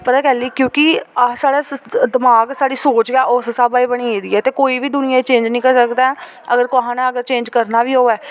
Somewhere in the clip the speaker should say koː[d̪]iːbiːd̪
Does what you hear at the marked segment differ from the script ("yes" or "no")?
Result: yes